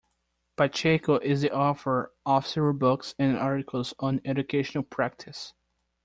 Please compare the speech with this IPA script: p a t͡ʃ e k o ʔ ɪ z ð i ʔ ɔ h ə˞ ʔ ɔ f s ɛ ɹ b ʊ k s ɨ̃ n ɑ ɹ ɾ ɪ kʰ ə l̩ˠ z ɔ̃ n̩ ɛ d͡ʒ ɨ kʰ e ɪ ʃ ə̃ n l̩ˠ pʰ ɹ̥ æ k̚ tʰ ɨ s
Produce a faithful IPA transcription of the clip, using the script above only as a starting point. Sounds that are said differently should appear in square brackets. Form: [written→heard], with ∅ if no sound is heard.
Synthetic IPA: p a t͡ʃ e k o ʔ ɪ z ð i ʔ ɔ [h→f] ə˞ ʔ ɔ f s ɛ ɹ b ʊ k s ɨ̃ n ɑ ɹ ɾ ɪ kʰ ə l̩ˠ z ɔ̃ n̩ ɛ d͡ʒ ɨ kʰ e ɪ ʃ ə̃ n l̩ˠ pʰ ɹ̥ æ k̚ tʰ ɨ s